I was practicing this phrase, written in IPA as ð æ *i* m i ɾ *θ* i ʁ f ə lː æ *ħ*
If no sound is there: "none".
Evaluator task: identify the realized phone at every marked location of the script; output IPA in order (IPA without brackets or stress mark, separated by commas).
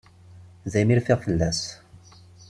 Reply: j, f, s